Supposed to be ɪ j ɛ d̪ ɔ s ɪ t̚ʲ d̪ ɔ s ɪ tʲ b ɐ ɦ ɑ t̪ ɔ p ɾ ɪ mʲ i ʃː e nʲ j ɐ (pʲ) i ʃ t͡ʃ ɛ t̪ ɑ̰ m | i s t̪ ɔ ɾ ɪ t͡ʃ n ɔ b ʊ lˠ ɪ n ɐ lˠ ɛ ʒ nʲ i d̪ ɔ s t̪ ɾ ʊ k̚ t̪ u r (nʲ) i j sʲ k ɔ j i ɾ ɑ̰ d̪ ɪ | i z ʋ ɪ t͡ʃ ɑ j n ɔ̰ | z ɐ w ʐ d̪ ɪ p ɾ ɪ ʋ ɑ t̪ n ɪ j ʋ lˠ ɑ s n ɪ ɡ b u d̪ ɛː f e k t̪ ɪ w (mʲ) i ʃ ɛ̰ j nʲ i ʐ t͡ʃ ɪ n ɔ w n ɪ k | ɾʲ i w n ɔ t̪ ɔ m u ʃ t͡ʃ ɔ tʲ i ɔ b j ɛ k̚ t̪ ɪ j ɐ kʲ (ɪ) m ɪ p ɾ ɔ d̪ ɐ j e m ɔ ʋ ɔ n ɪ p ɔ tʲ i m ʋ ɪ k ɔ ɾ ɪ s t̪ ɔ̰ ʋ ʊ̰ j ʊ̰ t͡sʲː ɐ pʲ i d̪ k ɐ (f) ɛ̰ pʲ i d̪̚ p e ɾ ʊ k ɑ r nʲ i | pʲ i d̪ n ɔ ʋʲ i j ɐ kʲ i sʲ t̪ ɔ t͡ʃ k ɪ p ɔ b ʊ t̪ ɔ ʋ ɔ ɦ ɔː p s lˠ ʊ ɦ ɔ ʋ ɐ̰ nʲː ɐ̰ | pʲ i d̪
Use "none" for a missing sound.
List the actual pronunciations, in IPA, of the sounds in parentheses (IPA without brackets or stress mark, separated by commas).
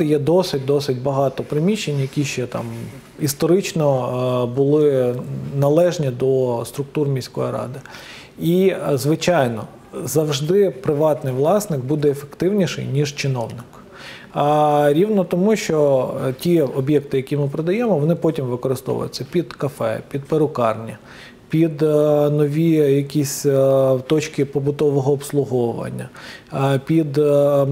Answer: kʲ, mʲ, nʲ, i, f